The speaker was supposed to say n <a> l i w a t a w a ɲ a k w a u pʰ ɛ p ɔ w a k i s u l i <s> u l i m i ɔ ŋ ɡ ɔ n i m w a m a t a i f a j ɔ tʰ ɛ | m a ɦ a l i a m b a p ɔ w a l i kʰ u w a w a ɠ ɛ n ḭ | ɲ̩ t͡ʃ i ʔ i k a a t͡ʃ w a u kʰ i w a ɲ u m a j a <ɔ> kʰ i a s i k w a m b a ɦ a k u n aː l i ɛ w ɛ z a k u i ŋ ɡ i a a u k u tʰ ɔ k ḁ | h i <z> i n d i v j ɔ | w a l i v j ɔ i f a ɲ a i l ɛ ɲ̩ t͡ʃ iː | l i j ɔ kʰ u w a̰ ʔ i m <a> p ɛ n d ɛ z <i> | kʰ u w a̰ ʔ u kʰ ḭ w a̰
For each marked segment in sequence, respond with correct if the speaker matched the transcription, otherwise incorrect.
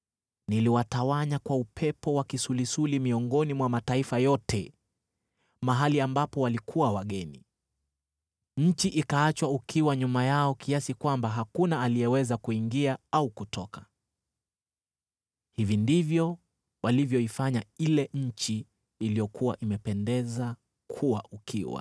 incorrect: i, correct, correct, incorrect: v, incorrect: ɛ, incorrect: a

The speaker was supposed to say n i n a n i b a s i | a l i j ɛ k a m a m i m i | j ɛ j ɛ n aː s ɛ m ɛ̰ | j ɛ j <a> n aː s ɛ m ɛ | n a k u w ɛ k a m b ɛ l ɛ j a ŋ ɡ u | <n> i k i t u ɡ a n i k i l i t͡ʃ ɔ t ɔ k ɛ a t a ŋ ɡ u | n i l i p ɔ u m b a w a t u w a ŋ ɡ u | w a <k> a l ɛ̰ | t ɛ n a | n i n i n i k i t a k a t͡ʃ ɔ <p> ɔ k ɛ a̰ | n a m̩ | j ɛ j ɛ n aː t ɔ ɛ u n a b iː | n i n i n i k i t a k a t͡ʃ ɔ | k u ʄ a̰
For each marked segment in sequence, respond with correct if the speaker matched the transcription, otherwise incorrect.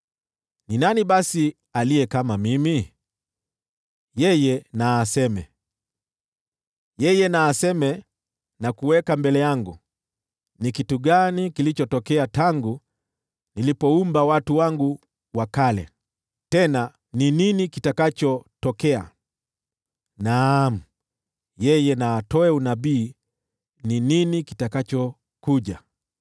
incorrect: ɛ, correct, correct, incorrect: t

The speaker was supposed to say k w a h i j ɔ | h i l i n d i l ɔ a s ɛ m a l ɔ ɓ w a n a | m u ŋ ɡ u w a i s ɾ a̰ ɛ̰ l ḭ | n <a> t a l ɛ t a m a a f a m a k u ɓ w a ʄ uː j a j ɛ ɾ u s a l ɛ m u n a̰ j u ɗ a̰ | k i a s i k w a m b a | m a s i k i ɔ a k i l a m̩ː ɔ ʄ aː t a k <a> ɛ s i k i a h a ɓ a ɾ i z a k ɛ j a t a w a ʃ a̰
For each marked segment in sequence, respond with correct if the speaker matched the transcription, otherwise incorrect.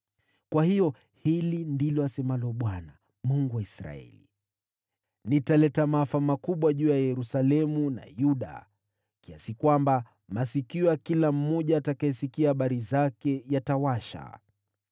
incorrect: i, correct

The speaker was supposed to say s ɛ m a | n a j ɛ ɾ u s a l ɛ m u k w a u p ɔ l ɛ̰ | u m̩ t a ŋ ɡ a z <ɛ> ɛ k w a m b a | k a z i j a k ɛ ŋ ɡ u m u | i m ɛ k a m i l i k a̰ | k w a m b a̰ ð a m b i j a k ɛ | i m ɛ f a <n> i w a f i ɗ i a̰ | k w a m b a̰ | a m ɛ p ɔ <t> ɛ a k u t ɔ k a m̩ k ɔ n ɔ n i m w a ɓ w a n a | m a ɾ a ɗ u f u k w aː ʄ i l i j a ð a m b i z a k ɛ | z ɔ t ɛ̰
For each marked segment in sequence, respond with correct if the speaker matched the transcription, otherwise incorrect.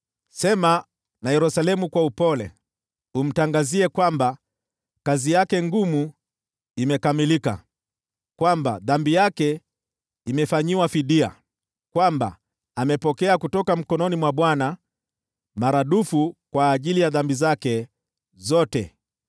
incorrect: i, incorrect: ɲ, incorrect: k

